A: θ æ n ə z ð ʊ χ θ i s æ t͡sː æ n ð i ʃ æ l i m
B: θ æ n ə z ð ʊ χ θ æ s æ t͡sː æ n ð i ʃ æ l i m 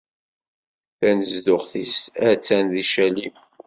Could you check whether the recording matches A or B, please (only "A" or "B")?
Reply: A